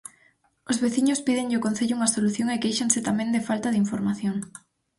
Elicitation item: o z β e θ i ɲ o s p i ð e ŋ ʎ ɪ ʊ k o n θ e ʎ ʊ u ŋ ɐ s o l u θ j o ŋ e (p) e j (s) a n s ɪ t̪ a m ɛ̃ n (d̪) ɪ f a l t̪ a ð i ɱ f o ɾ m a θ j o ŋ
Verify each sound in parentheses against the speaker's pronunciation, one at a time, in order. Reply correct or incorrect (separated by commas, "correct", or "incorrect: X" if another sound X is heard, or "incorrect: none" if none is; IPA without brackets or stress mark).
incorrect: k, incorrect: ʃ, correct